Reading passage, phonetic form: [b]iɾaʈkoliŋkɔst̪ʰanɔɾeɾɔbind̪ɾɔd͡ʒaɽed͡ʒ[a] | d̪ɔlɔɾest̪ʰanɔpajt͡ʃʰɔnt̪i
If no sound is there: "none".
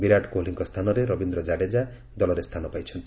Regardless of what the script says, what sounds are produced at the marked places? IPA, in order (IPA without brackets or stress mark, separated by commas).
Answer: b, a